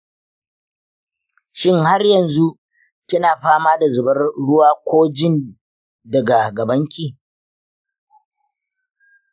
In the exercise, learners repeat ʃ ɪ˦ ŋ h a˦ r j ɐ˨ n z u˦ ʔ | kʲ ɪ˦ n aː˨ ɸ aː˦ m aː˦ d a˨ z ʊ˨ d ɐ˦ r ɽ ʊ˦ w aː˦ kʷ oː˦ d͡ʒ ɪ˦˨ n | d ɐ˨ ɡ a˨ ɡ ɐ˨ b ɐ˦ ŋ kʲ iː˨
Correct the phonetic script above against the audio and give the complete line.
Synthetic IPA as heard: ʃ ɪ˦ ŋ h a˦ r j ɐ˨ n z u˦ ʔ | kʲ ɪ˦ n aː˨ ɸ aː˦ m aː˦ d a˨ z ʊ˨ b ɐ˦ r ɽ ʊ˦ w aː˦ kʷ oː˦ d͡ʒ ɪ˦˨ n | d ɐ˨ ɡ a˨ ɡ ɐ˨ b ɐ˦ ŋ kʲ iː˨